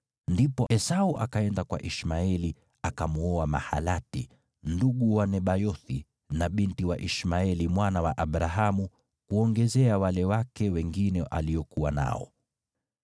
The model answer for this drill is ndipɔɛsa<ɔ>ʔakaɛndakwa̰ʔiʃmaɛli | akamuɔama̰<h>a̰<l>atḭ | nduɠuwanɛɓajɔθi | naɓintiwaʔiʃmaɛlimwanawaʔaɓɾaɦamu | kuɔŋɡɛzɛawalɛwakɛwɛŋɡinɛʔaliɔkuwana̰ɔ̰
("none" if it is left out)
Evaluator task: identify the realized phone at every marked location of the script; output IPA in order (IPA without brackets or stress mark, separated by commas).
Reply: u, h, l